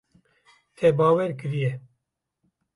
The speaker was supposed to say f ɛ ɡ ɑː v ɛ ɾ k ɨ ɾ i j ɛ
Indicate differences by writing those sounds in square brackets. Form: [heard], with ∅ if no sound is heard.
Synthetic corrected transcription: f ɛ [b] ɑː [w] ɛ ɾ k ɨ ɾ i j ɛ